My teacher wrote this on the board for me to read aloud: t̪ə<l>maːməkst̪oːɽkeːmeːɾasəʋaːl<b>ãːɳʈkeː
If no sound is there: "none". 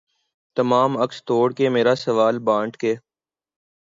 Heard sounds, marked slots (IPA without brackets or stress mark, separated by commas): none, b